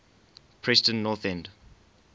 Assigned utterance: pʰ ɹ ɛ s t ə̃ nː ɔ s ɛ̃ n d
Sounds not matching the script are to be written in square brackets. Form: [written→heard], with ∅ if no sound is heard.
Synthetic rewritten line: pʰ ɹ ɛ s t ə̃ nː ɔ [s→θ] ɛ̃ n d

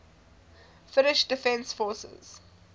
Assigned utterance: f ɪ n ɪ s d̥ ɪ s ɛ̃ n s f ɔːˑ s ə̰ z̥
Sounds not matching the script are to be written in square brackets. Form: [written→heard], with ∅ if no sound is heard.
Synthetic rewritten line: f ɪ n ɪ [s→ʃ] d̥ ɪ [s→f] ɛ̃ n s f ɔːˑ s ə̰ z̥

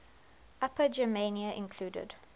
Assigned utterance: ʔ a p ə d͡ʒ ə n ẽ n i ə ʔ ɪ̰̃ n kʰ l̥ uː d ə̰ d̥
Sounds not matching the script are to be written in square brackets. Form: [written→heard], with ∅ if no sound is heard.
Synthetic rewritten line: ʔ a p ə d͡ʒ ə [n→m] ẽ n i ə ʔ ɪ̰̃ n kʰ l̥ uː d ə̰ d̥

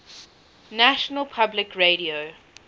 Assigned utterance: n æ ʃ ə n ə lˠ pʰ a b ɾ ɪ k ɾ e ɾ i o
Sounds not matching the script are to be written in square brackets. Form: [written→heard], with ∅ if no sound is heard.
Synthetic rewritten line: n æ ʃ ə n ə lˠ pʰ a b [ɾ→l] ɪ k [ɾ→ɹ] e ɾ i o

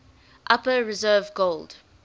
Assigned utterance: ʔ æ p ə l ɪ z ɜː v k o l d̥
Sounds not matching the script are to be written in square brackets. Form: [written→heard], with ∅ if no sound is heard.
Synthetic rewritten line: ʔ [æ→a] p ə [l→ɹ] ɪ z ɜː v [k→ɡ] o l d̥

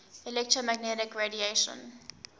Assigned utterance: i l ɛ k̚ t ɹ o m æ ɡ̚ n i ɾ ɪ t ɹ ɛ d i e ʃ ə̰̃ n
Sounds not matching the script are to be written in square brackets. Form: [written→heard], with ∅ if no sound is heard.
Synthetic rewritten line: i l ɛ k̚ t ɹ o m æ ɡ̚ n [i→ɛ] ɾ ɪ [t→k] ɹ [ɛ→e] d i e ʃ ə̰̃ n

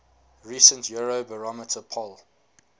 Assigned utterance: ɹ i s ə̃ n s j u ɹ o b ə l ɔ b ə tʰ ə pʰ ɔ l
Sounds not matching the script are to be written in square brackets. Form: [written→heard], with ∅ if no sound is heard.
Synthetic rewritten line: ɹ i s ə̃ n [s→t] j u ɹ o b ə [l→ɹ] ɔ [b→m] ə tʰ ə pʰ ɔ l

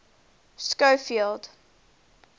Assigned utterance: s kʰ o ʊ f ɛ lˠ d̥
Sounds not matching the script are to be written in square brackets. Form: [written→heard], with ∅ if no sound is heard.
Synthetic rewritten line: s [kʰ→k] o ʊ f [ɛ→i] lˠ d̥

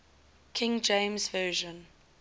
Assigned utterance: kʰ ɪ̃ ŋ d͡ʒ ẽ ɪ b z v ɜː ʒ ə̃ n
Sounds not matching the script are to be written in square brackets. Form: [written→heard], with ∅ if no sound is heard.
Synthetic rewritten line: kʰ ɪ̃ ŋ d͡ʒ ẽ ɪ [b→m] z v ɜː ʒ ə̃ n

